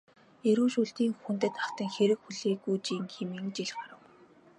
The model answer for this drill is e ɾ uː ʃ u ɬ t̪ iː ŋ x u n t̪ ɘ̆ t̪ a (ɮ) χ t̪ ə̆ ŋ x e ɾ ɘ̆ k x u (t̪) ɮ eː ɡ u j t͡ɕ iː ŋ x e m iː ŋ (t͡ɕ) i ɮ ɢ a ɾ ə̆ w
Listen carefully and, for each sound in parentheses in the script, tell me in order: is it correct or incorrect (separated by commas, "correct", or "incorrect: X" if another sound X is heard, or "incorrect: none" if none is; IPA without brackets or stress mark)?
incorrect: none, incorrect: none, correct